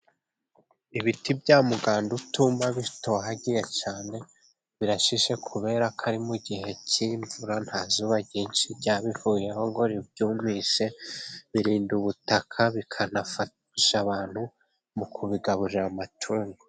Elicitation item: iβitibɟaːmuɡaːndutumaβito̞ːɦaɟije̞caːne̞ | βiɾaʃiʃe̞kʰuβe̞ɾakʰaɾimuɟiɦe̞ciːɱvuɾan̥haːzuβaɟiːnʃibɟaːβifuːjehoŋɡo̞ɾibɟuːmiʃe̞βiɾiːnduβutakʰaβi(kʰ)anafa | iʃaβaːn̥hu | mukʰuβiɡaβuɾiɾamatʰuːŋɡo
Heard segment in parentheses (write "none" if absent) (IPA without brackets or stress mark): kʰ